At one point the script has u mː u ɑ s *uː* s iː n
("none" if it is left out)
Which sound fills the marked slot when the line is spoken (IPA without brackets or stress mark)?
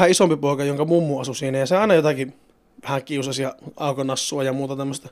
u